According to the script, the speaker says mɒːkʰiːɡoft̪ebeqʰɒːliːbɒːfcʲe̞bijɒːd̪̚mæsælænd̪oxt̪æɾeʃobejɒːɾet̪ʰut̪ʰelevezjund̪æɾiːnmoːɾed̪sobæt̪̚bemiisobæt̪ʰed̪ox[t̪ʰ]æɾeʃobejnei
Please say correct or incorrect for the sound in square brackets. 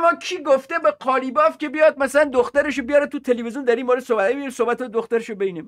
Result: incorrect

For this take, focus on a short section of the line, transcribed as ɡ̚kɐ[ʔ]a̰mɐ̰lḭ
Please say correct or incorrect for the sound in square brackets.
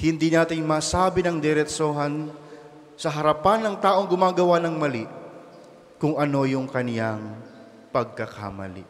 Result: incorrect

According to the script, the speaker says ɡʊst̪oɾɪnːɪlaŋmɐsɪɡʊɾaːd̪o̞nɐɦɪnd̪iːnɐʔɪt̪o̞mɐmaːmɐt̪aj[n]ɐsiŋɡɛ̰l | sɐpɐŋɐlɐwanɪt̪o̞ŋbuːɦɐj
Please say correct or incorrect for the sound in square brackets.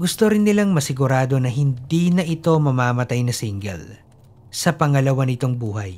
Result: correct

